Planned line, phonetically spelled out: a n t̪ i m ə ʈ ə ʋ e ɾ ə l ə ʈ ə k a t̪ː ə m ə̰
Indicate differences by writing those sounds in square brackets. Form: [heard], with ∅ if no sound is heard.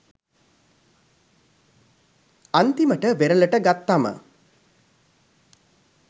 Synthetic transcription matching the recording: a n t̪ i m ə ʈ ə ʋ e ɾ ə l ə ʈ ə [ɡ] a t̪ː [a] m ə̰